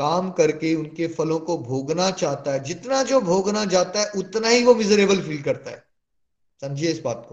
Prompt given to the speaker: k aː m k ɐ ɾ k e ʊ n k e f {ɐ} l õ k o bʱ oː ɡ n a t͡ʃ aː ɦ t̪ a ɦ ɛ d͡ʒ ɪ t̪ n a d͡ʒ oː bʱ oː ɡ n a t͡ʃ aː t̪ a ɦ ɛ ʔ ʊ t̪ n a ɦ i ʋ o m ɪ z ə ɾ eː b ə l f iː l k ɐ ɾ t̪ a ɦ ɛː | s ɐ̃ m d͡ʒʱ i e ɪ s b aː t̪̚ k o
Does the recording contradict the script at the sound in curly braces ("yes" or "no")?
no